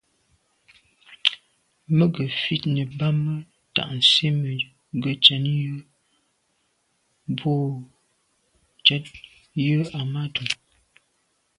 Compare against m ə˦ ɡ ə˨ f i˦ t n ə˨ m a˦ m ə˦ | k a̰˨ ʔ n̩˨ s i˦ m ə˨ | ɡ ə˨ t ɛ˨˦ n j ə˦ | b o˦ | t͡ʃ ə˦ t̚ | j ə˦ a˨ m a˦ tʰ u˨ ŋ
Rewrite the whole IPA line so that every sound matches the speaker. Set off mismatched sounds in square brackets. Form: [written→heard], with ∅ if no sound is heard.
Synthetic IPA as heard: m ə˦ ɡ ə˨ f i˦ t n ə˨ [m→b] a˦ m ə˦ | [k→t] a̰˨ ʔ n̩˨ s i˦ m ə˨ | ɡ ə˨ [t→t͡ʃ] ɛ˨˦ n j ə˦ | b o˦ | t͡ʃ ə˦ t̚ | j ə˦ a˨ m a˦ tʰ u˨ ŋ